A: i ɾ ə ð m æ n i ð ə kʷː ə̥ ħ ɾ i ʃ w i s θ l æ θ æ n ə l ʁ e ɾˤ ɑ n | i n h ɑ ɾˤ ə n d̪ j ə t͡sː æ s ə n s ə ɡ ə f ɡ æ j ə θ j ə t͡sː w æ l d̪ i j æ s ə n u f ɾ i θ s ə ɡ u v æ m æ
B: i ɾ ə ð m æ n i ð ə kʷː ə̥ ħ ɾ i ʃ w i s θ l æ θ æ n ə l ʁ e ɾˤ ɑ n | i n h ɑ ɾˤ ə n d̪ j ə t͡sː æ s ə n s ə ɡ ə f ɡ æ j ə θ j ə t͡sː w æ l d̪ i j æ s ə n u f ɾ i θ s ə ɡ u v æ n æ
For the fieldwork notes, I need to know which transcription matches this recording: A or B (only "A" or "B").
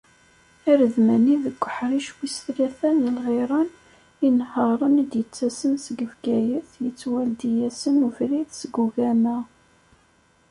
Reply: A